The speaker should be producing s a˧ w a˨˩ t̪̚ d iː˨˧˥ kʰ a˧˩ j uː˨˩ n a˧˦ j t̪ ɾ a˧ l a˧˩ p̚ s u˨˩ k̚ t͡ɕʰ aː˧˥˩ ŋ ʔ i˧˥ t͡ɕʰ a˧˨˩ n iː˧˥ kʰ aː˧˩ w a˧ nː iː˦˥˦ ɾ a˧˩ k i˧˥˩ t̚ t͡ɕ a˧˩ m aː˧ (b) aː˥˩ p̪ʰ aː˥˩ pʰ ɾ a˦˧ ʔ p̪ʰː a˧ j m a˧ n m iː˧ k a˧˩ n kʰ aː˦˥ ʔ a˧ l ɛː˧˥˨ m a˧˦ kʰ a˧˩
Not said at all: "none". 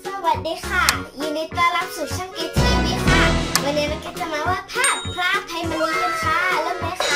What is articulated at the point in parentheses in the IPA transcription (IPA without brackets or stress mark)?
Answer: w